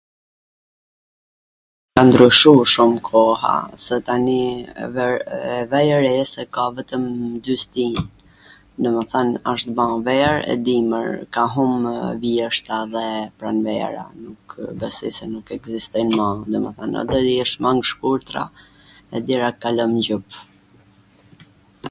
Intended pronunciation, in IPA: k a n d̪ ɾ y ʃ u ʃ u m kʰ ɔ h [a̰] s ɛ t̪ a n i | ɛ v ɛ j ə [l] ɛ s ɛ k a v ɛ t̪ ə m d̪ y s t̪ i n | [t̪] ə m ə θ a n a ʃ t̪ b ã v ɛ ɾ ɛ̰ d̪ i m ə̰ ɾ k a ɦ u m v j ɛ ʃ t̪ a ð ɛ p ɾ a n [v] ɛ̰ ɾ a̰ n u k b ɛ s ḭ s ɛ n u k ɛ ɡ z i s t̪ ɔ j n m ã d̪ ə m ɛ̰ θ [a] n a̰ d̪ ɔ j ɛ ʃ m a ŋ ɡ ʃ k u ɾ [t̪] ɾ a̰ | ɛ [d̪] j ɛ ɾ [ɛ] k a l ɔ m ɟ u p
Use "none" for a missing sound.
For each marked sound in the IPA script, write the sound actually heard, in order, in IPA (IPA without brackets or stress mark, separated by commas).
a̰, ɾ, d̪, v, a, t̪, d̪, a